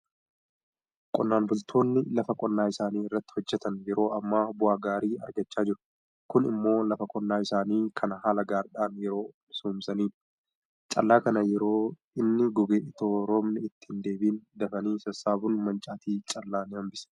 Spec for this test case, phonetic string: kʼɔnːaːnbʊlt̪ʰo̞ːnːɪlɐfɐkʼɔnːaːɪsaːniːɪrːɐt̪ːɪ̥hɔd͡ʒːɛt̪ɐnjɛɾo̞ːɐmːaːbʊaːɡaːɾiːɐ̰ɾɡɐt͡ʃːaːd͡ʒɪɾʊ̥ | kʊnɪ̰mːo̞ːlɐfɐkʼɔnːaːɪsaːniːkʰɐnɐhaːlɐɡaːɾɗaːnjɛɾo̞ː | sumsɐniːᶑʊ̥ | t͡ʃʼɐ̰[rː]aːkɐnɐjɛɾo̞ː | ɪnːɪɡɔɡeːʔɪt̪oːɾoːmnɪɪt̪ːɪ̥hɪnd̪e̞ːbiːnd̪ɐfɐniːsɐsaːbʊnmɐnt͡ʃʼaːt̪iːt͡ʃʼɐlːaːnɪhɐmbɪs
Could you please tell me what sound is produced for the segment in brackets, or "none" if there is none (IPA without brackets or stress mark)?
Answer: lː